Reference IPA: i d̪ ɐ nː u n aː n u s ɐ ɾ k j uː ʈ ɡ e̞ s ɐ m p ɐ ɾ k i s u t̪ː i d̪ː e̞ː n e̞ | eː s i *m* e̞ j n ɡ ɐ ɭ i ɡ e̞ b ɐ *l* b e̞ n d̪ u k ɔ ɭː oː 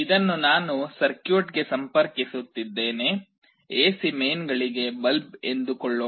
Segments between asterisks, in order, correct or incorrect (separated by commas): correct, correct